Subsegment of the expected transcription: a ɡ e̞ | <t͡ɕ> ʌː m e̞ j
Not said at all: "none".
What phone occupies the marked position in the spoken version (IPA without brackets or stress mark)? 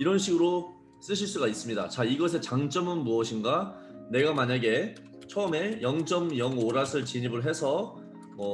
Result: t͡ɕʰ